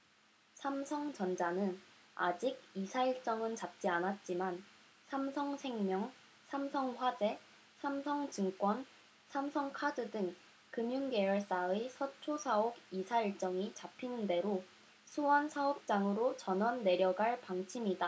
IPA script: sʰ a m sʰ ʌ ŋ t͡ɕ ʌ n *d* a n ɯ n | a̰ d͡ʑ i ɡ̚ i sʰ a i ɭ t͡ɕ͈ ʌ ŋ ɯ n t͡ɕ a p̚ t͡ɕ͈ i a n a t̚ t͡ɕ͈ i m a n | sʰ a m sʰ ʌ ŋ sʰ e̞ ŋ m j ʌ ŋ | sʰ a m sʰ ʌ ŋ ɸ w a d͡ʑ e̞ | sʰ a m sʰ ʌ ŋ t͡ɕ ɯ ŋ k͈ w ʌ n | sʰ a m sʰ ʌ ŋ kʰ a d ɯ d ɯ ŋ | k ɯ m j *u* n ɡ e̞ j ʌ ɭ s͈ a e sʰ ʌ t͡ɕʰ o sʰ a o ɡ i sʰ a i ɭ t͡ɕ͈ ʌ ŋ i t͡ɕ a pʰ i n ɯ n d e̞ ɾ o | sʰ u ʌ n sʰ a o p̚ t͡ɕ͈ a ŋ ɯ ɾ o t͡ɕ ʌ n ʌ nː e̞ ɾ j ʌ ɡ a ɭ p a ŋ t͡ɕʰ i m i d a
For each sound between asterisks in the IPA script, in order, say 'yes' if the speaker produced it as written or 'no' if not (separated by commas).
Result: no, yes